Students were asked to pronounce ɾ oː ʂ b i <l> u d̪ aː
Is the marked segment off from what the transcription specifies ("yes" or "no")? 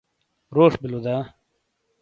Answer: no